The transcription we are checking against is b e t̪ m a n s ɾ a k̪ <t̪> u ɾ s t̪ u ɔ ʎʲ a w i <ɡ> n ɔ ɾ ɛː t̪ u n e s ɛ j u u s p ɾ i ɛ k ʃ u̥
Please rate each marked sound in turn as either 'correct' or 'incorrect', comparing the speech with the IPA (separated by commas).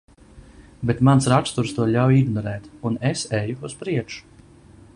correct, correct